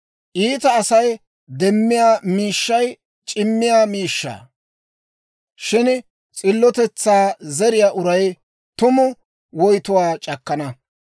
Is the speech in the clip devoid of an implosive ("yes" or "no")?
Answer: yes